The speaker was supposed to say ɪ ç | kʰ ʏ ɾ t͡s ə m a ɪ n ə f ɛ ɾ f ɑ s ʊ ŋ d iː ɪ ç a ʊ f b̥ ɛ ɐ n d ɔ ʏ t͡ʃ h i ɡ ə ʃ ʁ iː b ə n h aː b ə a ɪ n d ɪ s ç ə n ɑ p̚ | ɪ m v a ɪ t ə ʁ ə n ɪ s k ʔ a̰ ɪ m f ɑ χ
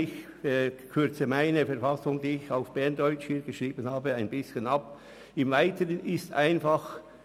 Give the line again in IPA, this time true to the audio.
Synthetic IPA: ɪ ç | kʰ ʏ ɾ t͡s ə m a ɪ n ə f ɛ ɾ f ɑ s ʊ ŋ d iː ɪ ç a ʊ f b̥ ɛ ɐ n d ɔ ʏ t͡ʃ h iː ɡ ə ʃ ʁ iː b ə n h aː b ə a ɪ n b ɪ s ç ə n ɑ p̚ | ɪ m v a ɪ t ə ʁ ə n ɪ s t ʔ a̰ ɪ n f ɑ χ

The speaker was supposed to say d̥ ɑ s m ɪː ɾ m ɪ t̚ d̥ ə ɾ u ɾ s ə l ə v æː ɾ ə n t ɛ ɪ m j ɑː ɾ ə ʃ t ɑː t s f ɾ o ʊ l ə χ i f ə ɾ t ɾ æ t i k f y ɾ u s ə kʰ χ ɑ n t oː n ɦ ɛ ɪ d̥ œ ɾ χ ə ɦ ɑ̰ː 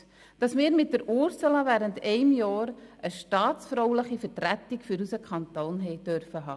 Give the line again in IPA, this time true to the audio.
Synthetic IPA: d̥ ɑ s m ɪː ɾ m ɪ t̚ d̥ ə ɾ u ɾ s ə l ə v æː ɾ ə n t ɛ ɪ m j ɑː ɾ ə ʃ t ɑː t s f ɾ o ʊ l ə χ i f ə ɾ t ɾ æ t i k f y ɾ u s ə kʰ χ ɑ n t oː n ɦ ɛ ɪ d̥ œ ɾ f ə ɦ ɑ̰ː

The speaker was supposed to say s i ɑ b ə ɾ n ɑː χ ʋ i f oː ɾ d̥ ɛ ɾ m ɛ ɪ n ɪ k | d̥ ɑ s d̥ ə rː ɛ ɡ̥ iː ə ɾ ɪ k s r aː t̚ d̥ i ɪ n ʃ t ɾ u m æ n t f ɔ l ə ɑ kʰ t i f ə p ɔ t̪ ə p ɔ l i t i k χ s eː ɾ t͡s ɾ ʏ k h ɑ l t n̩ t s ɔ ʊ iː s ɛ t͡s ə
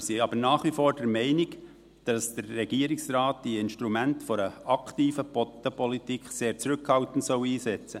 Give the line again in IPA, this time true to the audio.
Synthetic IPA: s i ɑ b ə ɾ n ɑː χ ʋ i f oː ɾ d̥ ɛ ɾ m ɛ ɪ n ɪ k | d̥ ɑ s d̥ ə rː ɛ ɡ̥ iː ə ɾ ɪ k s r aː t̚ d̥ i ɪ n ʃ t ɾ u m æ n t f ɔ ɾ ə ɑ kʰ t iː f ə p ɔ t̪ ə p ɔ l i t i k χ s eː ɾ t͡s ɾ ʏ k h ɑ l t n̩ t s ɔ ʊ iː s ɛ t͡s ə

